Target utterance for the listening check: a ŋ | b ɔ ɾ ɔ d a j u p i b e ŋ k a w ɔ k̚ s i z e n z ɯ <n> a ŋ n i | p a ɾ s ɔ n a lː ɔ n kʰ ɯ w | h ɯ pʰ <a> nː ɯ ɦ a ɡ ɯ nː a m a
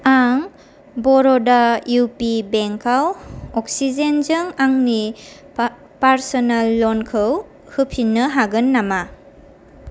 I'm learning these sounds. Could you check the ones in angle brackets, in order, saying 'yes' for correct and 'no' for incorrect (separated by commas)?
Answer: no, no